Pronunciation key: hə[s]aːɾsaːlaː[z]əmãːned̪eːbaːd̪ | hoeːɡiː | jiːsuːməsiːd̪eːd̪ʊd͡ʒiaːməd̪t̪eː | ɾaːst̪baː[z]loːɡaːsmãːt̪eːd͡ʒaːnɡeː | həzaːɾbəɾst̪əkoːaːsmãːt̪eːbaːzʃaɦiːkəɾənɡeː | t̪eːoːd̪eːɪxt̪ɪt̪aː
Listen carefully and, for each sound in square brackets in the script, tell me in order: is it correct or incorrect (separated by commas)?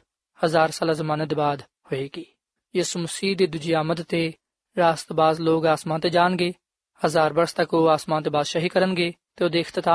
incorrect, correct, correct